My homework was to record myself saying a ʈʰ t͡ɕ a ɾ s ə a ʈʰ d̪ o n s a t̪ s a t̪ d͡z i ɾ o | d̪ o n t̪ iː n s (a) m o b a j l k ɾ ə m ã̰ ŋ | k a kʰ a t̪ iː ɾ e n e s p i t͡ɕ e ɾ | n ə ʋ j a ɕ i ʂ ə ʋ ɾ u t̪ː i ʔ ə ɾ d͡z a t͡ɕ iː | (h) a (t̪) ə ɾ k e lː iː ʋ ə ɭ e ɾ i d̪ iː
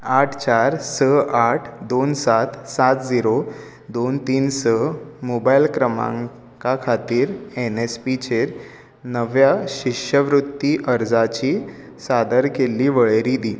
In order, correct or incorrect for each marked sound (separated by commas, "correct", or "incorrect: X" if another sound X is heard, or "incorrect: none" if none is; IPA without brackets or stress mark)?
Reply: incorrect: ə, incorrect: s, incorrect: d̪